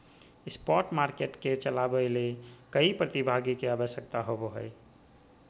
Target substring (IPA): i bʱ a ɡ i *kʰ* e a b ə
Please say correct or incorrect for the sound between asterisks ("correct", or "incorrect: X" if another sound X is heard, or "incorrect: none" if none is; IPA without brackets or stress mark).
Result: incorrect: k